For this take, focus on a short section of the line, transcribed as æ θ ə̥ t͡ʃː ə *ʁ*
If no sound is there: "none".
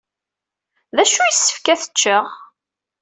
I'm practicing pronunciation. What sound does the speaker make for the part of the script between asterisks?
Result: ʁ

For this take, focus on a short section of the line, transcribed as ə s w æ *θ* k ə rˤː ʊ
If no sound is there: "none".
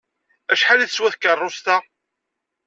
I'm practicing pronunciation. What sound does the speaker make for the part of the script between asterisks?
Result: θ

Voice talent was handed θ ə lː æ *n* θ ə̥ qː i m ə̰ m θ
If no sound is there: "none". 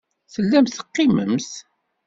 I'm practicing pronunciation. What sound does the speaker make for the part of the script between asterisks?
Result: m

